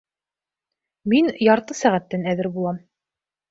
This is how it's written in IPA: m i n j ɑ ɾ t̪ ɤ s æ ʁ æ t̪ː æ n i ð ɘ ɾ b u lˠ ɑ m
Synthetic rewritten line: m i n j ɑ ɾ t̪ ɤ s æ ʁ æ t̪ː æ n æ ð ɘ ɾ b u lˠ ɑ m